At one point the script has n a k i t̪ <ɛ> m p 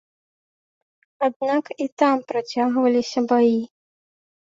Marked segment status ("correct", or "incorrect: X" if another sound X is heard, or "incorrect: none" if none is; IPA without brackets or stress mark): incorrect: a